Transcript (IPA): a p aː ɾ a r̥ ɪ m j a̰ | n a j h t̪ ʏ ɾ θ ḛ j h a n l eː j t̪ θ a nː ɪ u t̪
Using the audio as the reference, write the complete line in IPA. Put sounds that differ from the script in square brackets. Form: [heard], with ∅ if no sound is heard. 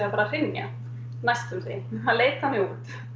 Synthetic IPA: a p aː ɾ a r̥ ɪ [n] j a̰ | n a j [s] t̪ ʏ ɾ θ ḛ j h a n l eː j t̪ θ a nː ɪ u t̪